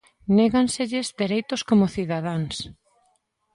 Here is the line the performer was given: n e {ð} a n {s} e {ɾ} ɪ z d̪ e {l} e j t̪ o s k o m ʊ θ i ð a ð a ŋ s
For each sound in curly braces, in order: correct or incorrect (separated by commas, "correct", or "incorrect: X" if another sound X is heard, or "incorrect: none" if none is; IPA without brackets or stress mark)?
incorrect: ɣ, correct, incorrect: ʎ, incorrect: ɾ